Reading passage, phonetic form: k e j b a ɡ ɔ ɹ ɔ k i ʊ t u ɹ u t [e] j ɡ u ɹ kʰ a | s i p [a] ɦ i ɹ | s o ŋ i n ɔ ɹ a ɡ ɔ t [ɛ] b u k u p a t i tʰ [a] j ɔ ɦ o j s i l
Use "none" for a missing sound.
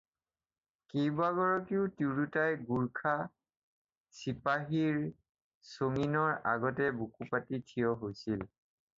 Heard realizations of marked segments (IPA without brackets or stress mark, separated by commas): a, a, ɛ, i